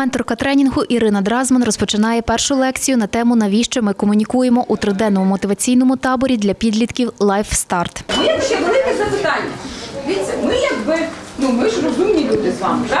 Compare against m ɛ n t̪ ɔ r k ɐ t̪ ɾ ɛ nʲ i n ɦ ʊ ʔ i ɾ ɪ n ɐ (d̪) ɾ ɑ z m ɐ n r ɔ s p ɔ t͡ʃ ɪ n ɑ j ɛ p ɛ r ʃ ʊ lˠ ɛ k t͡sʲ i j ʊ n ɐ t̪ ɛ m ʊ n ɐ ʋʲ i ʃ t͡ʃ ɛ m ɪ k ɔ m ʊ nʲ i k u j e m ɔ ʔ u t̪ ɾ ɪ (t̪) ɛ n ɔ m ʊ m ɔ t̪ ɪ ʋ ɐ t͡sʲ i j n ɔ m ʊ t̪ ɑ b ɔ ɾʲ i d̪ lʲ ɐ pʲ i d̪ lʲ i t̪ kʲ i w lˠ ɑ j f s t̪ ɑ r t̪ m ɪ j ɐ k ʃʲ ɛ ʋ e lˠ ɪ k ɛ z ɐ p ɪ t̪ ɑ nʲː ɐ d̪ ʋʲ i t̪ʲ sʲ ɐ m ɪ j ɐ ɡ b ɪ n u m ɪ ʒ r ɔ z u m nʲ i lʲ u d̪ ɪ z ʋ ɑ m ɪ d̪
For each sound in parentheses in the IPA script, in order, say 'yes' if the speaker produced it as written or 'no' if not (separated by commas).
yes, no